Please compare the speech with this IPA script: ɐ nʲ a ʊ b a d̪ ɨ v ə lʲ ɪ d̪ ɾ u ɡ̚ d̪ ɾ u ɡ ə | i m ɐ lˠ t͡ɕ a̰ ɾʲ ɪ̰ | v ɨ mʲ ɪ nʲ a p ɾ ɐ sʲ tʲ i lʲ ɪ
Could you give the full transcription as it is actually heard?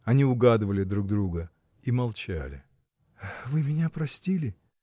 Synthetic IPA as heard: ɐ nʲ i ʊ ɡ a d̪ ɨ v ə lʲ ɪ d̪ ɾ u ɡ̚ d̪ ɾ u ɡ ə | i m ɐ lˠ t͡ɕ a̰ lʲ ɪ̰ | v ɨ mʲ ɪ nʲ a p ɾ ɐ sʲ tʲ i lʲ ɪ